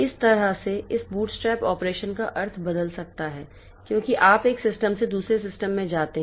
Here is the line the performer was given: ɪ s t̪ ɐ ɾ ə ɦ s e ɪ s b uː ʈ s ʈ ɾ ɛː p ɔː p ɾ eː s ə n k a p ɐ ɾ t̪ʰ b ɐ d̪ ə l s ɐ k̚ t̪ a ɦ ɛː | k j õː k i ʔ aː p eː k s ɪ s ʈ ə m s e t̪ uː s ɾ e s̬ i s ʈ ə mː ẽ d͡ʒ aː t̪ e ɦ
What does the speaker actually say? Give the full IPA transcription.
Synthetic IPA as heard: ɪ s t̪ ɐ ɾ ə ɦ s e ɪ s b uː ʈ s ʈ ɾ ɛː p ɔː p ɾ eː ʃ ə n k a ʔ ɐ ɾ t̪ʰ b ɐ d̪ ə l s ɐ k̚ t̪ a ɦ ɛː | k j õː k i ʔ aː p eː k s ɪ s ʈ ə m s e d̪ uː s ɾ e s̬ ɪ s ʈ ə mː ẽ d͡ʒ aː t̪ e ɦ